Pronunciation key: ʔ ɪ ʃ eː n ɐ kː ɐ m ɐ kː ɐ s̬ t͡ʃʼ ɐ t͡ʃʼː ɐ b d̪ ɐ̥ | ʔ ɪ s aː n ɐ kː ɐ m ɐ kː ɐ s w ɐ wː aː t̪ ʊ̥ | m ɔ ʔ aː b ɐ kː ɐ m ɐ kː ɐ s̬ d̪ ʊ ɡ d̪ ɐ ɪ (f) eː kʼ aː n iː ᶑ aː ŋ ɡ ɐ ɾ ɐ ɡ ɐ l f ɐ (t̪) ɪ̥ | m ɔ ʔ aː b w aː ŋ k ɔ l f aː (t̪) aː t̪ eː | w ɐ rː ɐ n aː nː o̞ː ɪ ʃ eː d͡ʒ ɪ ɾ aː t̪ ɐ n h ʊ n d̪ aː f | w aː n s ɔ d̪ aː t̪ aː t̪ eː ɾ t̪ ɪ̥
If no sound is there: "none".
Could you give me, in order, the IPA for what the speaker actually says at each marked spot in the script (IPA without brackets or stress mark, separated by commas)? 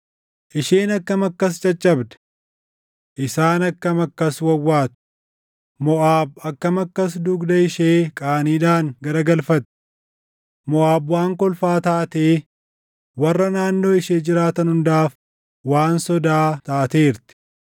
ʃ, t̪, t̪